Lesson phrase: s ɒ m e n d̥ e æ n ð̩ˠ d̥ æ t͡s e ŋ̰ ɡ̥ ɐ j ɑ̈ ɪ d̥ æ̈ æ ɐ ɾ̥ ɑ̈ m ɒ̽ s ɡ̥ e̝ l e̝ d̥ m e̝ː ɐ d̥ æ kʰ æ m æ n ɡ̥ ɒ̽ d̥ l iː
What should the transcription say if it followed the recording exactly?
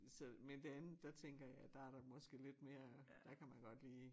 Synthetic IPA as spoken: s ɒ m e n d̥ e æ n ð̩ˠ d̥ æ t͡sʰ e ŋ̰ ɡ̥ ɐ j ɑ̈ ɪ d̥ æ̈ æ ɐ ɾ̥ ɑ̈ m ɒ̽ s ɡ̥ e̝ l e̝ d̥ m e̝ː ɐ d̥ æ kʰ æ m æ n ɡ̥ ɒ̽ d̥ l iː